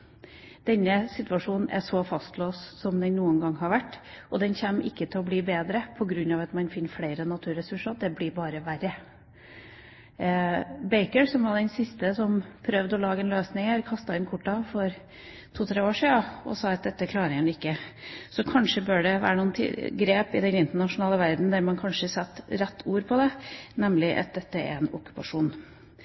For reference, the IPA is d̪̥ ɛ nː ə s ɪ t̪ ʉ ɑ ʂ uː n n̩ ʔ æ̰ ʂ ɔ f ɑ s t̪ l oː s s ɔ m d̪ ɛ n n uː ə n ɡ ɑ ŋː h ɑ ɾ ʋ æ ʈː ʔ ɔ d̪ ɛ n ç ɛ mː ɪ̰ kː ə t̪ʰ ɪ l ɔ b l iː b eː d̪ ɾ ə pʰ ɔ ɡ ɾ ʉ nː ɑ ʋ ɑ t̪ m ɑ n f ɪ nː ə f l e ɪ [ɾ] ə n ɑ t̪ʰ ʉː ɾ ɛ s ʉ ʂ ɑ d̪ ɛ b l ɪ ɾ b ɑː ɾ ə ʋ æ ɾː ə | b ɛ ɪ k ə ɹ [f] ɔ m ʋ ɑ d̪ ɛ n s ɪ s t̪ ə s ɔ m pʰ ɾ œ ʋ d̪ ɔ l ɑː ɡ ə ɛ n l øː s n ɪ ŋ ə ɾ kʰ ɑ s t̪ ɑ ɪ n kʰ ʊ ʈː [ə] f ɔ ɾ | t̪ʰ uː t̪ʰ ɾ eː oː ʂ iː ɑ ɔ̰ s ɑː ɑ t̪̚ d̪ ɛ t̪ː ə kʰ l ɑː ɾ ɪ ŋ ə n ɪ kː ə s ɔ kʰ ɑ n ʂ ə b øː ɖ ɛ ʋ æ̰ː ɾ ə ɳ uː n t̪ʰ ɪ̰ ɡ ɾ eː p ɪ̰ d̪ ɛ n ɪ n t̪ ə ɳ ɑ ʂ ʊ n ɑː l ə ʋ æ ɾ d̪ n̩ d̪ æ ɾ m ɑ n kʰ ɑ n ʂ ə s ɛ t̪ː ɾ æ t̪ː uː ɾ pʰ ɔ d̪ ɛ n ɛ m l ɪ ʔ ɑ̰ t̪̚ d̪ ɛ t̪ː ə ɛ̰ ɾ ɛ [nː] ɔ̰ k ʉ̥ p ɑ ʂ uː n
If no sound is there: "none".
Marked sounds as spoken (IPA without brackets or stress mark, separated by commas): ɾ, s, ɑ, n